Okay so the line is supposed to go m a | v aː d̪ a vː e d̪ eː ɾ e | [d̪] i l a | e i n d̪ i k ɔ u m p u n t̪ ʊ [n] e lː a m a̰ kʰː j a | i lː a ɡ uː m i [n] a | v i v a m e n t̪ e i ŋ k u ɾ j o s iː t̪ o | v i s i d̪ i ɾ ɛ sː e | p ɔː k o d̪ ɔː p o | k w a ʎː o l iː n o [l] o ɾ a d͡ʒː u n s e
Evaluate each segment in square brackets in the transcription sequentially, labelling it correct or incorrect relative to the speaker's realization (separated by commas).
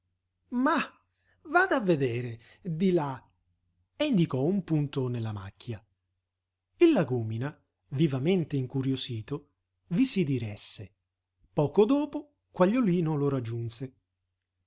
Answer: correct, correct, correct, correct